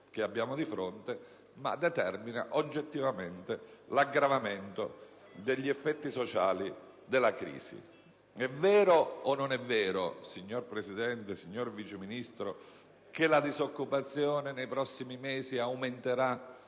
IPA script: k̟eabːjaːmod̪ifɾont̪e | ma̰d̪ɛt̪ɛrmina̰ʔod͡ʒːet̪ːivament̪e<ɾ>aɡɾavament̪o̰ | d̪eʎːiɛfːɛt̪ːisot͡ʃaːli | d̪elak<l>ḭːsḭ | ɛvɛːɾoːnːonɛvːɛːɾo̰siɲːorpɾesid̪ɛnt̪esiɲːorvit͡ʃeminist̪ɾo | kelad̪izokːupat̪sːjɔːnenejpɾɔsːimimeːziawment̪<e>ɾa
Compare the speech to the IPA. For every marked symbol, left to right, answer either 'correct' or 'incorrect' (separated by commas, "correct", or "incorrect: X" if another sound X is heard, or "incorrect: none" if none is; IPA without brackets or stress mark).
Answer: incorrect: l, incorrect: ɾ, correct